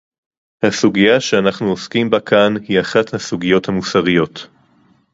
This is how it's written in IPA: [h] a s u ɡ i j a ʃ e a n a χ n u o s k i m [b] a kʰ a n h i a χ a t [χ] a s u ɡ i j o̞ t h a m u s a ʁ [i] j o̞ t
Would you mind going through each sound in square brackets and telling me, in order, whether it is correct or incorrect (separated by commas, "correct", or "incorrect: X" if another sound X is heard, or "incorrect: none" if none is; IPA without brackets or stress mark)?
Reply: correct, correct, incorrect: h, correct